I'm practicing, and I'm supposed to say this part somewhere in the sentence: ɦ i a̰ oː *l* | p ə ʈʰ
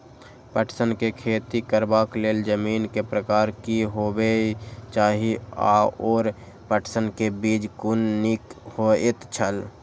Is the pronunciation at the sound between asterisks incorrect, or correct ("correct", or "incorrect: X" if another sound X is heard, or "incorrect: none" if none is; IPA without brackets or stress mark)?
incorrect: ɾ